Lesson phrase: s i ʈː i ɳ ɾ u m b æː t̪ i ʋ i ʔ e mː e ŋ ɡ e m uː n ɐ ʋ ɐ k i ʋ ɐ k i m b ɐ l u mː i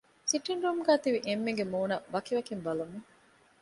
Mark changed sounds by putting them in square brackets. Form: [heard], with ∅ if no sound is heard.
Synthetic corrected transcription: s i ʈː i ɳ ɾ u m [ɡ] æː t̪ i ʋ i ʔ e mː e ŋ ɡ e m uː n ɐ ʋ ɐ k i ʋ ɐ k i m b ɐ l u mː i